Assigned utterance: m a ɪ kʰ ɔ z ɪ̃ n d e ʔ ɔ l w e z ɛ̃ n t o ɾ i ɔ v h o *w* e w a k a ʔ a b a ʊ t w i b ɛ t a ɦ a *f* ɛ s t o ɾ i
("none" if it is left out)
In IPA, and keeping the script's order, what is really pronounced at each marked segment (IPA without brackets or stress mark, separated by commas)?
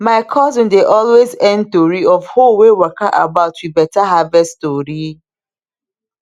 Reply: w, v